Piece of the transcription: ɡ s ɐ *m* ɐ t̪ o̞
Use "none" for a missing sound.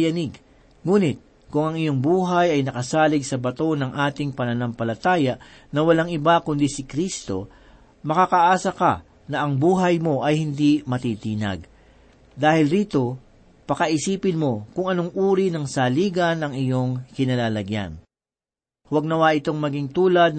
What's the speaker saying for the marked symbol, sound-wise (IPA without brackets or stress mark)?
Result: b